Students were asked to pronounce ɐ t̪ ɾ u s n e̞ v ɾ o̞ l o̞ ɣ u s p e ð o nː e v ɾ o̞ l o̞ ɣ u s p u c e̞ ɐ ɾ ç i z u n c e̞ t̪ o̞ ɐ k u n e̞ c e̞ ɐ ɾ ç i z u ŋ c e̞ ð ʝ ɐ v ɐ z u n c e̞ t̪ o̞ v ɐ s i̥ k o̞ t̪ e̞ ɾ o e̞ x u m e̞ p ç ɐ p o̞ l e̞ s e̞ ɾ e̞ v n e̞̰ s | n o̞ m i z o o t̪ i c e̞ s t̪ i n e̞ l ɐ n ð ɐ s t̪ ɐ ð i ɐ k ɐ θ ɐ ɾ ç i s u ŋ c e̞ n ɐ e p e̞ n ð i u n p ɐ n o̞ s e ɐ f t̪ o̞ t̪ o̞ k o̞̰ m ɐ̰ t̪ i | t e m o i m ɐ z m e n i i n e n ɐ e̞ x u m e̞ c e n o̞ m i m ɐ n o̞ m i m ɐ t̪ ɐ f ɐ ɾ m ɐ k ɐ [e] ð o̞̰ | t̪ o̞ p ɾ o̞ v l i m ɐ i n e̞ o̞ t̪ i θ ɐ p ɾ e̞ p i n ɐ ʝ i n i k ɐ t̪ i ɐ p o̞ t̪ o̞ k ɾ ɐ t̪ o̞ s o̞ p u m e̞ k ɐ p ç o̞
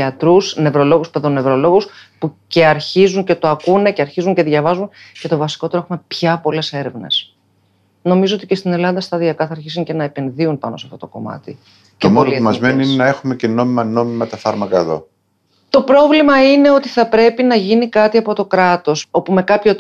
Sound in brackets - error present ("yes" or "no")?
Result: no